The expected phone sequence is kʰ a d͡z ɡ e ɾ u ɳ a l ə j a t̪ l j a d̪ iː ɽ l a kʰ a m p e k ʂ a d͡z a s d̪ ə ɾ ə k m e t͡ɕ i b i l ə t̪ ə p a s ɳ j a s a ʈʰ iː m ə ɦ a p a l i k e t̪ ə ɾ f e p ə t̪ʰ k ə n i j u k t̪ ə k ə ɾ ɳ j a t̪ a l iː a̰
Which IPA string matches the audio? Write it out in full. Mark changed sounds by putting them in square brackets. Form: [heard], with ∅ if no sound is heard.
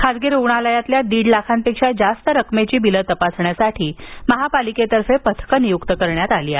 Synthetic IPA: kʰ a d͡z ɡ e ɾ u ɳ a l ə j a t̪ l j a d̪ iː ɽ l a kʰ a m p e k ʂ a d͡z a s [t̪] ə ɾ ə k m e t͡ɕ [iː] b i l ə t̪ ə p a s ɳ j a s a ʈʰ iː m ə ɦ a p a l i k e t̪ ə ɾ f e p ə t̪ʰ k ə n i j u k t̪ ə k ə ɾ ɳ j a t̪ a l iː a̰